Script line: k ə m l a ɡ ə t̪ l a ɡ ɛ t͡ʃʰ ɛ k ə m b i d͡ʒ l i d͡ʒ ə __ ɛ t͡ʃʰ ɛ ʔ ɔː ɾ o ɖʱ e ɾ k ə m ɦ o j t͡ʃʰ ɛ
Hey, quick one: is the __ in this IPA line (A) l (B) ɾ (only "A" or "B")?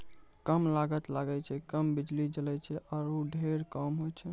A